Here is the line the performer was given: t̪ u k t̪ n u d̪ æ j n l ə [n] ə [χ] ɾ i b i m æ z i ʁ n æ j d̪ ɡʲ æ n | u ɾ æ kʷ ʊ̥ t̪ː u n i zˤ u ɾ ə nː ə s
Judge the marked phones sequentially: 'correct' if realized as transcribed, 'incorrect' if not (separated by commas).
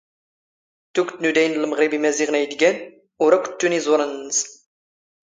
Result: incorrect, incorrect